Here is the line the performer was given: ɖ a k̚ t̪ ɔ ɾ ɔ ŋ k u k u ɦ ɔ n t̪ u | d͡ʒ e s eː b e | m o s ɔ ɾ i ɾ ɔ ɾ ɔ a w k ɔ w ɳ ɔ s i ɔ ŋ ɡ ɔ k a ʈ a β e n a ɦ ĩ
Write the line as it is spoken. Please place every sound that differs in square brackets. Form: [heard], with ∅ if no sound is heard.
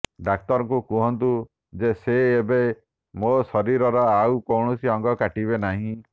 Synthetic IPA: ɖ a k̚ t̪ ɔ ɾ ɔ ŋ k u k u ɦ ɔ n t̪ u | d͡ʒ e s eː b e | m o s ɔ ɾ i ɾ ɔ ɾ ɔ a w k ɔ w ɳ ɔ s i ɔ ŋ ɡ ɔ k a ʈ [i] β e n a ɦ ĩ